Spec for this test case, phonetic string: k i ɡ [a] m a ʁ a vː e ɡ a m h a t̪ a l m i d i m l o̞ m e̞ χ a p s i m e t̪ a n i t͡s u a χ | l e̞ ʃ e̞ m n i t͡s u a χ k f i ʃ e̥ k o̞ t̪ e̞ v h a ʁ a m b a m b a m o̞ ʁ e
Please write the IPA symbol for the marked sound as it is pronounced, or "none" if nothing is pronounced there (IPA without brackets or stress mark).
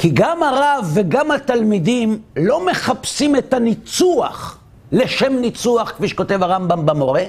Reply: a